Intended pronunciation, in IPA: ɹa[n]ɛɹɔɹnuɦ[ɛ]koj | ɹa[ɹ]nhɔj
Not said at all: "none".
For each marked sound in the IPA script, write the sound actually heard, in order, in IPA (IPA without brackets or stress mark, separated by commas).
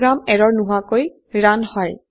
m, a, none